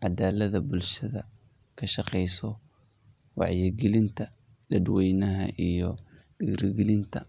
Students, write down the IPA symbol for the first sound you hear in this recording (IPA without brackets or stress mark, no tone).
ʕ